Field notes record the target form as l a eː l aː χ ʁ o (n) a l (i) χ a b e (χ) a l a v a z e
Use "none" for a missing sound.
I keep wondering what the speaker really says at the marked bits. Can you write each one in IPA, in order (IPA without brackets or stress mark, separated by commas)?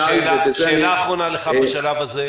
n, e, ʃ